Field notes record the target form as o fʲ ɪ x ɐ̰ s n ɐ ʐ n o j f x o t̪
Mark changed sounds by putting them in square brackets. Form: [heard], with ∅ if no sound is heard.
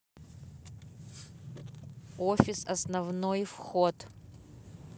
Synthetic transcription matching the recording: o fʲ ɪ [s] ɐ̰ s n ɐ [v] n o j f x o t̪